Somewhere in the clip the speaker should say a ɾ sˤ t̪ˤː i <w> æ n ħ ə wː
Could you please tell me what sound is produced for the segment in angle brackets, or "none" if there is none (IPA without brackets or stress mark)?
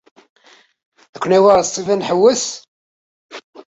v